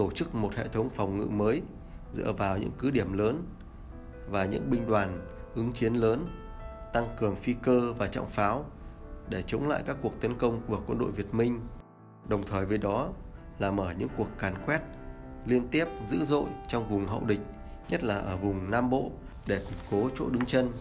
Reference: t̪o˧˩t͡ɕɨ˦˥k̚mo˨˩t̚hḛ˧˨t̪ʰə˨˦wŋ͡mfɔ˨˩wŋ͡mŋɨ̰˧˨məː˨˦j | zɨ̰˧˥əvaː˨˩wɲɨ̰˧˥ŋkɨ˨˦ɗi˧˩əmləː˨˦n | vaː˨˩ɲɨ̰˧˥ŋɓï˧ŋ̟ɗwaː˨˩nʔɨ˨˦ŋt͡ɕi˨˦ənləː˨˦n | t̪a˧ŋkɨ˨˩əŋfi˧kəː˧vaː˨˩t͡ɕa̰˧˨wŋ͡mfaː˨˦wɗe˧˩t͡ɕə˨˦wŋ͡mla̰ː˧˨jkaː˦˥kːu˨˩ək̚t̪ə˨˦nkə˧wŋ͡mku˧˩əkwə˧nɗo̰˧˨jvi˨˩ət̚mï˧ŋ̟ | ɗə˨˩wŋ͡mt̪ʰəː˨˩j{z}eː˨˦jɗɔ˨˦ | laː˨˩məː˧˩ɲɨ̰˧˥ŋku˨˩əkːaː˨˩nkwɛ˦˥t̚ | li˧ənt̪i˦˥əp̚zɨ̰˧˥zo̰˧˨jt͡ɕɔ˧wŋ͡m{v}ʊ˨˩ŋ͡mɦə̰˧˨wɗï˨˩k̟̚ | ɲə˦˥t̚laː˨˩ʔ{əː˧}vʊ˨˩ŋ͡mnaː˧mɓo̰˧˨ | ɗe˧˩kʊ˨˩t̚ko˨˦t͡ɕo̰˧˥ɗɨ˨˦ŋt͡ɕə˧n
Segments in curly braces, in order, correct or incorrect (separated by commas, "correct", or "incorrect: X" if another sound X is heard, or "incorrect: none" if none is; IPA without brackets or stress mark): incorrect: v, correct, incorrect: əː˧˩